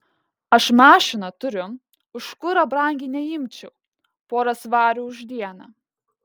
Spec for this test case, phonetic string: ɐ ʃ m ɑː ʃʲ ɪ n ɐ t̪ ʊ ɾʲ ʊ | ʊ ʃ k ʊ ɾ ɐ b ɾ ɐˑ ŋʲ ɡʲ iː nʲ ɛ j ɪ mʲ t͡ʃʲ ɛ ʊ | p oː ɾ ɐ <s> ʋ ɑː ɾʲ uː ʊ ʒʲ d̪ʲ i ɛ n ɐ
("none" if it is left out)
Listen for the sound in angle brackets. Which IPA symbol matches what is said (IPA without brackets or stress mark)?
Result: s